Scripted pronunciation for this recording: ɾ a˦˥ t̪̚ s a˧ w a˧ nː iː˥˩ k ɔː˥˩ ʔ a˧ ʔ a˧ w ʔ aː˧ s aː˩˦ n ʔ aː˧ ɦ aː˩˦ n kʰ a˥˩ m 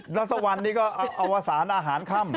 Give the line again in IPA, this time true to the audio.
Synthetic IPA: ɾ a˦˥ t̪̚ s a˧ w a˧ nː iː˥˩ k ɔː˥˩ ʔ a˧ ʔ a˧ w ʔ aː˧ s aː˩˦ n ʔ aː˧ ɦ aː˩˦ n kʰ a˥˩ m

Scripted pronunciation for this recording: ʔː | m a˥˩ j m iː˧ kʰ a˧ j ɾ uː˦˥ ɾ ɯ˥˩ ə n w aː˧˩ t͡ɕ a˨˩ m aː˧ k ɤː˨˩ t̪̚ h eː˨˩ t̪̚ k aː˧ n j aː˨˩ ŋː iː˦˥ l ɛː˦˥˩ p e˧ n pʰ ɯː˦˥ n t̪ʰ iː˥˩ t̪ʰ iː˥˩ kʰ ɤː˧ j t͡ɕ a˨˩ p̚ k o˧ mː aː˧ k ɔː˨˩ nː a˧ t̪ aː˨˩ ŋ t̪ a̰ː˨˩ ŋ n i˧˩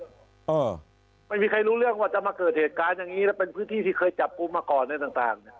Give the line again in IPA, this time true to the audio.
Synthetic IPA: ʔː | m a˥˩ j m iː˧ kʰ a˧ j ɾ uː˦˥ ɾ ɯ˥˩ ə ŋ w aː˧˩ t͡ɕ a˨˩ m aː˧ k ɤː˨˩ t̪̚ h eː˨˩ t̪̚ k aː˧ n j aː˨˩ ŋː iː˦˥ l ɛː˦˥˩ p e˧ n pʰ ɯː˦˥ n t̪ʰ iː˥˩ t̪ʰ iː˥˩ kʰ ɤː˧ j t͡ɕ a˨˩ p̚ k u˧ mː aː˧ k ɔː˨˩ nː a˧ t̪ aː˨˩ ŋ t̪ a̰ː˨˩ ŋ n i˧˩

